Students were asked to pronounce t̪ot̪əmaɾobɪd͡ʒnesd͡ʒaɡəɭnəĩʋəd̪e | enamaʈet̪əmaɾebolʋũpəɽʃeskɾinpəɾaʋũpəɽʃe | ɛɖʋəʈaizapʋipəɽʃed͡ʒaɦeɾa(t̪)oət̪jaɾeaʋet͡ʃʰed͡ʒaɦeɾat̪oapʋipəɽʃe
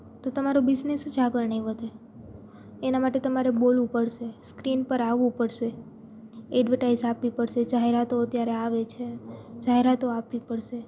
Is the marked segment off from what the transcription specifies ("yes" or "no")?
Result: no